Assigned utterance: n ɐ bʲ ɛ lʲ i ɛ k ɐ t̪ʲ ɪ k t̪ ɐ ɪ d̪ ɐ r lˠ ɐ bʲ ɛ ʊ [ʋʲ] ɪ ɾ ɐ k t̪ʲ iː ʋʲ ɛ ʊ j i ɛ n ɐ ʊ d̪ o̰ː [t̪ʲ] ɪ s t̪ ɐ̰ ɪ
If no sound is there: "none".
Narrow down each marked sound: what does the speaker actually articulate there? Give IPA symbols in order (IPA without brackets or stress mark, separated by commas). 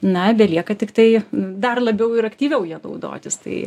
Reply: none, t̪ʲ